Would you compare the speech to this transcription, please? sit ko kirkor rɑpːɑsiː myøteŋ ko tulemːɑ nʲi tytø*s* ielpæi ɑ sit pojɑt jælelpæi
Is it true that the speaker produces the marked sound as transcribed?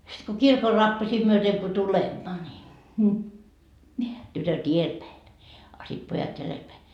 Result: no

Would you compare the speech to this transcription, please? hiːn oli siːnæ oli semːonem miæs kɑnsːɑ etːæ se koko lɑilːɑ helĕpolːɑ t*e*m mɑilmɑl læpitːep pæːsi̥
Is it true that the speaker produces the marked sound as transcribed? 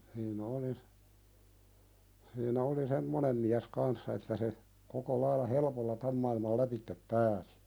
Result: no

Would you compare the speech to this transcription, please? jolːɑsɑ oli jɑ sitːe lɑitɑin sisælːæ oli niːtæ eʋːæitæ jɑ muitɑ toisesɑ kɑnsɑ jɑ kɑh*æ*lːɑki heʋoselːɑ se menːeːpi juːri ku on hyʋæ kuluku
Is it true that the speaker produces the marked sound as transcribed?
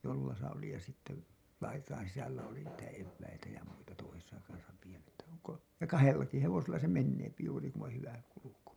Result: no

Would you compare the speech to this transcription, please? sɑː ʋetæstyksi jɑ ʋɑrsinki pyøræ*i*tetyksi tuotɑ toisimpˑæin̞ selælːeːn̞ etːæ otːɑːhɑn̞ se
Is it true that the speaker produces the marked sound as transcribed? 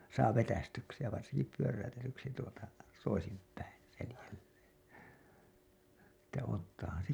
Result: no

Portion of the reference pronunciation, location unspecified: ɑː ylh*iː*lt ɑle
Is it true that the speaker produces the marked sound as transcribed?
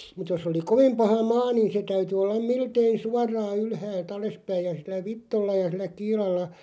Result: no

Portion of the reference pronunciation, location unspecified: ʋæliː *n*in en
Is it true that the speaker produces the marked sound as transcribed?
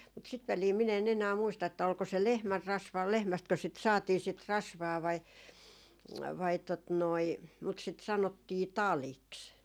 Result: no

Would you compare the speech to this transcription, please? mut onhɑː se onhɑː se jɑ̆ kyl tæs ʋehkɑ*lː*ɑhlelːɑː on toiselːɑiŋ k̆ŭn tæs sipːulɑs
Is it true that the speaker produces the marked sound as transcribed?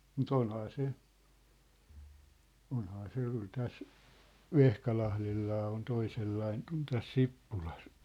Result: no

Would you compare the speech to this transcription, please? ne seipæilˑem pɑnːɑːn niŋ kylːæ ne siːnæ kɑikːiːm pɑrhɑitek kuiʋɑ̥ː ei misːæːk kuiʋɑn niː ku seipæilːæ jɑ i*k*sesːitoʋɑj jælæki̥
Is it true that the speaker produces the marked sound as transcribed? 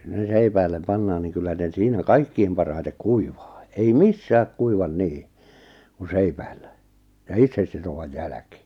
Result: no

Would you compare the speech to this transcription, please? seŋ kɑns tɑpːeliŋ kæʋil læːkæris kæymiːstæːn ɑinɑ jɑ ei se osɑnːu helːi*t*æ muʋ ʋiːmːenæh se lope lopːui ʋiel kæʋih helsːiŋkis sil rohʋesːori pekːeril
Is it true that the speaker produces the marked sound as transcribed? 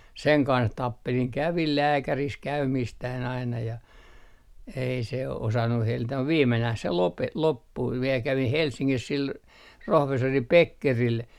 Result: yes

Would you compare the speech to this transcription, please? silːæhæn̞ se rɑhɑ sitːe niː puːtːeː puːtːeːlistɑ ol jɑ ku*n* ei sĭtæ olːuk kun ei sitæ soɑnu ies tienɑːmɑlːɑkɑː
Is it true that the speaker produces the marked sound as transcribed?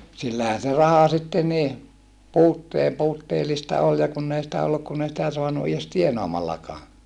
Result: no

